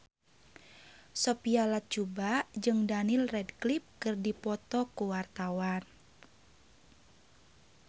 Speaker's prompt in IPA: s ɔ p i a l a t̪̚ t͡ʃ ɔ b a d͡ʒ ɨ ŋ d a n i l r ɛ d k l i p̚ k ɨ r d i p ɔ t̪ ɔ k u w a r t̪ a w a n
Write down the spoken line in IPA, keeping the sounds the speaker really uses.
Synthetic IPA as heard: s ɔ p i a l a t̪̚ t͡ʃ u b a d͡ʒ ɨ ŋ d a n i l r ɛ d k l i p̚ k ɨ r d i p ɔ t̪ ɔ k u w a r t̪ a w a n

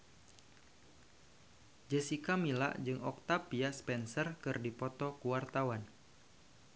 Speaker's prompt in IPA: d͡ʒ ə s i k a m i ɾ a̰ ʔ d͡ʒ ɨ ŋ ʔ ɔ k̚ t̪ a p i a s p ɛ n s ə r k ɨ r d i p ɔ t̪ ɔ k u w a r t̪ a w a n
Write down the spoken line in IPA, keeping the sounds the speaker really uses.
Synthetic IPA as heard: d͡ʒ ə s i k a m i l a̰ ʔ d͡ʒ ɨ ŋ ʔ ɔ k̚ t̪ a p i a s p ɛ n s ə r k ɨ r d i p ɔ t̪ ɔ k u w a r t̪ a w a n

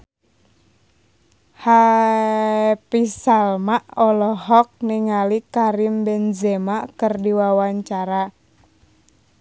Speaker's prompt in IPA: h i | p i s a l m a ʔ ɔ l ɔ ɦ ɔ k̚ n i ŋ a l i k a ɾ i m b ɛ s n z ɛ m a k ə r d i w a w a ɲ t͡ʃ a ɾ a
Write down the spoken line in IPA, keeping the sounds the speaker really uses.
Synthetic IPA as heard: h a | p i s a l m a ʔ ɔ l ɔ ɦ ɔ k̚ n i ŋ a l i k a ɾ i m b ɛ n z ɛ m a k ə r d i w a w a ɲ t͡ʃ a ɾ a

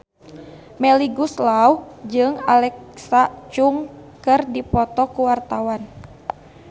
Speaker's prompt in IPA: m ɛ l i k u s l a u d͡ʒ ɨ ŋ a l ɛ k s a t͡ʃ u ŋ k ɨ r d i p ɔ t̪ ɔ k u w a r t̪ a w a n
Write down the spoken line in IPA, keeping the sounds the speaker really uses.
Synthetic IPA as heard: m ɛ l i ɡ u s l a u d͡ʒ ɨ ŋ a l ɛ k s a t͡ʃ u ŋ k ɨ r d i p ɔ t̪ ɔ k u w a r t̪ a w a n

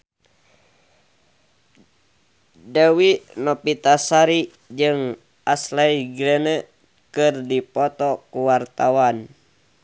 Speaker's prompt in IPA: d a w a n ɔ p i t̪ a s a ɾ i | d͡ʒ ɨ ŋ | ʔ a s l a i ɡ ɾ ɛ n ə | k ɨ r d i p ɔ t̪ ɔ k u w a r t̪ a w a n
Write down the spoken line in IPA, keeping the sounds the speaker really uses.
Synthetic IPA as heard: d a w i n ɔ p i t̪ a s a ɾ i | d͡ʒ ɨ ŋ | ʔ a s l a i ɡ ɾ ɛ n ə | k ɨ r d i p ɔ t̪ ɔ k u w a r t̪ a w a n

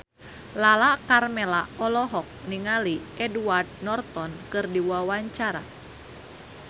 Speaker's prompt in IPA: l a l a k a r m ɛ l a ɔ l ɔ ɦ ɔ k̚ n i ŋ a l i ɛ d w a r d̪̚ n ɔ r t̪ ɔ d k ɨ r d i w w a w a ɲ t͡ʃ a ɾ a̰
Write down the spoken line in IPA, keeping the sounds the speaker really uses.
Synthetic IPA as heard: l a l a k a r m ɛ l a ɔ l ɔ ɦ ɔ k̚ n i ŋ a l i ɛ d u a r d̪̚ n ɔ r t̪ ɔ n k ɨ r d i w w a w a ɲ t͡ʃ a ɾ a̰

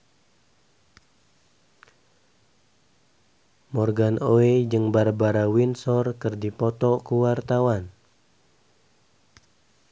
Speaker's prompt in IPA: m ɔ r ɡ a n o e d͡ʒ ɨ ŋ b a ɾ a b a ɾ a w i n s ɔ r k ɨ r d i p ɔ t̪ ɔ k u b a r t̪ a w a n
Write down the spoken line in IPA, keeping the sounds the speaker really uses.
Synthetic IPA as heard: m ɔ r ɡ a n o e d͡ʒ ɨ ŋ b a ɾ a b a ɾ a w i n s ɔ r k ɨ r d i p ɔ t̪ ɔ k u w a r t̪ a w a n

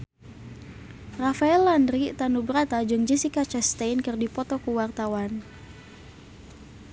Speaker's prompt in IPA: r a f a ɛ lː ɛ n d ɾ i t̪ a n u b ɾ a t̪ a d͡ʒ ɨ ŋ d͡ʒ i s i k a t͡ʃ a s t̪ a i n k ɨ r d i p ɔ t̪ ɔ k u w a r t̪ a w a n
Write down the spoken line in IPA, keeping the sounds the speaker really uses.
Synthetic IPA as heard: r a f a ɛ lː a n d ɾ i t̪ a n u b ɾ a t̪ a d͡ʒ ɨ ŋ d͡ʒ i s i k a t͡ʃ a s t̪ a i n k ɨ r d i p ɔ t̪ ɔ k u w a r t̪ a w a n

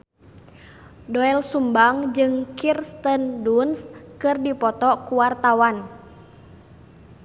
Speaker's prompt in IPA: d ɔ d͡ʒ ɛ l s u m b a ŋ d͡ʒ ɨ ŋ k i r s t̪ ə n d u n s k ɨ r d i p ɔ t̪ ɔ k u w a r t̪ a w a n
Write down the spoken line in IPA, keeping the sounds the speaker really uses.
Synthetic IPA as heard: d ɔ ɛ l s u m b a ŋ d͡ʒ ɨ ŋ k i r s t̪ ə n d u n s k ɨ r d i p ɔ t̪ ɔ k u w a r t̪ a w a n

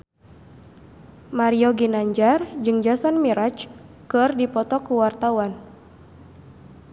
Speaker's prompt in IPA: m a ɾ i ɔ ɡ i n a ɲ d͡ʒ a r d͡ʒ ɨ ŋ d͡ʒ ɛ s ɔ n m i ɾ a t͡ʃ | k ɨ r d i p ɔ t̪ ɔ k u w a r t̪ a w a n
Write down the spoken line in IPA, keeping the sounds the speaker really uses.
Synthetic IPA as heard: m a ɾ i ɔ ɡ i n a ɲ d͡ʒ a r d͡ʒ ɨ ŋ d͡ʒ a s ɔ n m i ɾ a t͡ʃ | k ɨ r d i p ɔ t̪ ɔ k u w a r t̪ a w a n

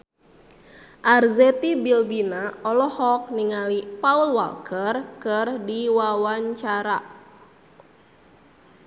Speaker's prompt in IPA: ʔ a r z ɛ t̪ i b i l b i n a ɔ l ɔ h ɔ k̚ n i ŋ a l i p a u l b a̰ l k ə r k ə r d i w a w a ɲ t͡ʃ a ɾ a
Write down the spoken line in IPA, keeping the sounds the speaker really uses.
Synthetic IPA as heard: ʔ a r z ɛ t̪ i b i l b i n a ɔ l ɔ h ɔ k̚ n i ŋ a l i p a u l w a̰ l k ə r k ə r d i w a w a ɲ t͡ʃ a ɾ a

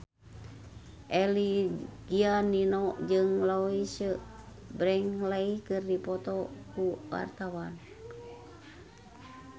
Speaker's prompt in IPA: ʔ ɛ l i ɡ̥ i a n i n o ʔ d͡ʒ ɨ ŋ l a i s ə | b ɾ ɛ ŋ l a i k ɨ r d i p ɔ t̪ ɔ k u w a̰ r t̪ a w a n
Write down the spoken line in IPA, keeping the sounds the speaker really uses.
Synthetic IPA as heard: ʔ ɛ l i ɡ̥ i a n i n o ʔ d͡ʒ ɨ ŋ l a i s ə | b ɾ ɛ ŋ l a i k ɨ r d i p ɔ t̪ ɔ k u w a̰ r t̪ a w a n

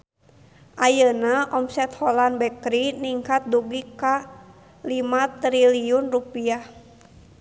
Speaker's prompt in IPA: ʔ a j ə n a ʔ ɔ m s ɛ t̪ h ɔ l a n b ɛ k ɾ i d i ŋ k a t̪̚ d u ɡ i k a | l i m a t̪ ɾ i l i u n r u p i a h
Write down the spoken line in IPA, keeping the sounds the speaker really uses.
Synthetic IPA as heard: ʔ a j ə n a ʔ ɔ m s ɛ t̪ h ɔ l a n b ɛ k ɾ i n i ŋ k a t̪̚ d u ɡ i k a | l i m a t̪ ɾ i l i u n r u p i a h

